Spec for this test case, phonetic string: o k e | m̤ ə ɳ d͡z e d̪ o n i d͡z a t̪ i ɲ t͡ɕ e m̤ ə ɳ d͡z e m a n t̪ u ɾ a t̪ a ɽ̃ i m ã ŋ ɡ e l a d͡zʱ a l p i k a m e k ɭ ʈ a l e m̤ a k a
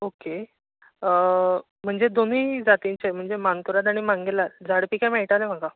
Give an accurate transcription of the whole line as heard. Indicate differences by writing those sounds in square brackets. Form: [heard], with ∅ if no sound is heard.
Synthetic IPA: o k e | m̤ ə ɳ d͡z e d̪ o n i d͡z a t̪ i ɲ t͡ɕ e m̤ ə ɳ d͡z e m a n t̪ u ɾ a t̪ a ɽ̃ i m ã ŋ ɡ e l a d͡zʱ a [ɽ] p i k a m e [∅] ɭ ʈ a l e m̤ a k a